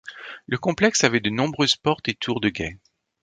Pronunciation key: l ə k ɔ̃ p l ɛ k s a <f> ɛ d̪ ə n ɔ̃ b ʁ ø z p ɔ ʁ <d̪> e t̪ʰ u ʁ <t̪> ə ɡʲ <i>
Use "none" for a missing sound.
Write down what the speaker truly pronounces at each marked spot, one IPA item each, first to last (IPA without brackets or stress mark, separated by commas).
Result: v, t̪, d̪, ɛ